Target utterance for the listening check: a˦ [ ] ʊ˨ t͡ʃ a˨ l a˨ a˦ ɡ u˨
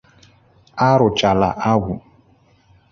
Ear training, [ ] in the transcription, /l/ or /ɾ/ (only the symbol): ɾ